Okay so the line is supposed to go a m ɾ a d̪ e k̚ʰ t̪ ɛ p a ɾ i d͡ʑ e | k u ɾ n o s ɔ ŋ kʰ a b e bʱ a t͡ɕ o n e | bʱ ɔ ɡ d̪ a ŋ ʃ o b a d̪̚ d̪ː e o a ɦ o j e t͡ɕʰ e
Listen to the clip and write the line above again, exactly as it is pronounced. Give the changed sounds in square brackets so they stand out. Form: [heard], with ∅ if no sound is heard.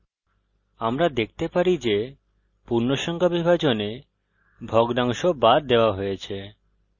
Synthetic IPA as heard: a m ɾ a d̪ e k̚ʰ t̪ [e] p a ɾ i d͡ʑ e | [p] u ɾ n o [ʃ] ɔ ŋ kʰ a b [i] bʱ a t͡ɕ o n e | bʱ ɔ ɡ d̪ a ŋ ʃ o b a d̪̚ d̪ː e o a ɦ o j e t͡ɕʰ e

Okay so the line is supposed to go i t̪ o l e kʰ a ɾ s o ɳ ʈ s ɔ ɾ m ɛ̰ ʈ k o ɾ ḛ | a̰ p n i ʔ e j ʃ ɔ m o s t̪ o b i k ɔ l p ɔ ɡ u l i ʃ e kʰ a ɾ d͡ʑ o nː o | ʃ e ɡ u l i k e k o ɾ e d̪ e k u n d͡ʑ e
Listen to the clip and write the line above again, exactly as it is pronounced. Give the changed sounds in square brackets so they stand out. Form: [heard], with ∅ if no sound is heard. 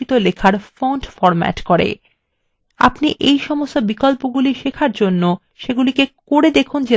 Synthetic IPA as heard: i t̪ o l e kʰ a ɾ [f] o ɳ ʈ [f] ɔ ɾ m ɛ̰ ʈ k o ɾ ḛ | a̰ p n i ʔ e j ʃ ɔ m o s t̪ o b i k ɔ l p [o] ɡ u l i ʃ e kʰ a ɾ d͡ʑ o nː o | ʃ e ɡ u l i k e k o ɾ e d̪ e [kʰ] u n d͡ʑ e

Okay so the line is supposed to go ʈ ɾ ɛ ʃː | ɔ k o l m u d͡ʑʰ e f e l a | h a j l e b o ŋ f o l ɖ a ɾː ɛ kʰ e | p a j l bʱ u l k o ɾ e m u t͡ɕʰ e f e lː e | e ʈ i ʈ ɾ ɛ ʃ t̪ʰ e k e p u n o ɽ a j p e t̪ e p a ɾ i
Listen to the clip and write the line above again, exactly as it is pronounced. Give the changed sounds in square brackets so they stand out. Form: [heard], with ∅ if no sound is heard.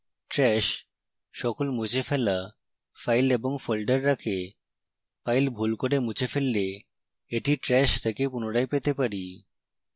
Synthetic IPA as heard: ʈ ɾ ɛ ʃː | ɔ k o l m u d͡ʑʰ e f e l a | [f] a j l e b o ŋ f o l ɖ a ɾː [a] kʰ e | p a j l bʱ u l k o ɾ e m u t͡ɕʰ e f e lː e | e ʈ i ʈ ɾ ɛ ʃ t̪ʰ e k e p u n o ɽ a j p e t̪ e p a ɾ i

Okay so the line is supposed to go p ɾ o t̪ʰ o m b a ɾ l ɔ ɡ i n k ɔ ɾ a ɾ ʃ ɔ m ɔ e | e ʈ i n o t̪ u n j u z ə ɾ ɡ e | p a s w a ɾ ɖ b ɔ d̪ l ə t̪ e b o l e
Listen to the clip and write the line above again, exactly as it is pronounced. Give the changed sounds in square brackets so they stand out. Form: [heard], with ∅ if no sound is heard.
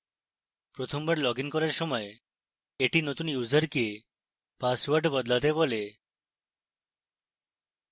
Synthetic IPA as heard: p ɾ o t̪ʰ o m b a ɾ l ɔ ɡ i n k ɔ ɾ a ɾ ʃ ɔ m ɔ e | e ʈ i n o t̪ u n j u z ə ɾ [k] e | p a s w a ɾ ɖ b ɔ d̪ l [a] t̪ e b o l e

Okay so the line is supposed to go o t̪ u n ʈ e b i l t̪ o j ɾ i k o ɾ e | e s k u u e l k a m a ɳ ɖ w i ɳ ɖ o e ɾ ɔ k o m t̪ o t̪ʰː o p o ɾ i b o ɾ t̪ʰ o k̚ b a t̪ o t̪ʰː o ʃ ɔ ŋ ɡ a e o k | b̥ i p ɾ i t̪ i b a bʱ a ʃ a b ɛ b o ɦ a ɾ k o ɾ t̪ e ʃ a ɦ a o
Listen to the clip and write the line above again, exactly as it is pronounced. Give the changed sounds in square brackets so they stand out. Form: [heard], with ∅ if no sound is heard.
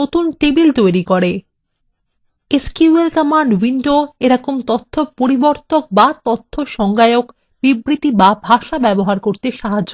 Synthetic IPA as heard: o t̪ u n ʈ e b i l t̪ o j ɾ i k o ɾ e | e s k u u e l k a m a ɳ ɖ w i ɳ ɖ o e ɾ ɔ k o m t̪ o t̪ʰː o p o ɾ i b o ɾ [t̪] o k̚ b a t̪ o t̪ʰː o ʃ ɔ ŋ ɡ a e o k | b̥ i [b] ɾ i t̪ i b a bʱ a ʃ a b ɛ b o ɦ a ɾ k o ɾ t̪ e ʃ a ɦ a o

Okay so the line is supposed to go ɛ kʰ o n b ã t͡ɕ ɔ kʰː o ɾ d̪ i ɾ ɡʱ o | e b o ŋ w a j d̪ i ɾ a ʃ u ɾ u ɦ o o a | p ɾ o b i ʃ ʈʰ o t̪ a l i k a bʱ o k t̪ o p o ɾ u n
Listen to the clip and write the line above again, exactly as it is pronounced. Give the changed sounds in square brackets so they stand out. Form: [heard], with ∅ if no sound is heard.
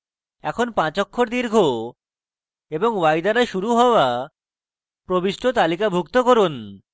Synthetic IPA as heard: ɛ kʰ o n [p] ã t͡ɕ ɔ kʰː o ɾ d̪ i ɾ ɡʱ o | e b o ŋ w a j d̪ [a] ɾ a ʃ u ɾ u ɦ [ɔ] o a | p ɾ o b i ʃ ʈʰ o t̪ a l i k a bʱ [u] k t̪ o [k] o ɾ u n

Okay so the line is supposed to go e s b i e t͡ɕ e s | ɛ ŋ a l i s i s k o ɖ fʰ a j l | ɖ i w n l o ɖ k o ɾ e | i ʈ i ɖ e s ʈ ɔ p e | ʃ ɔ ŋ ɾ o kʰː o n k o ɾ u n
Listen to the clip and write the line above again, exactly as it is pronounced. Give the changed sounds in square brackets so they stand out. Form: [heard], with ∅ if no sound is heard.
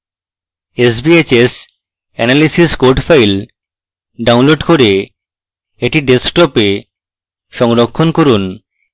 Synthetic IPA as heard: e s b i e t͡ɕ e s | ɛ [n] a l i s i s k o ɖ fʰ a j l | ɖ [a] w n l o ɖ k o ɾ e | [e] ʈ i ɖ e s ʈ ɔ p e | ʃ ɔ ŋ ɾ o kʰː o n k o ɾ u n

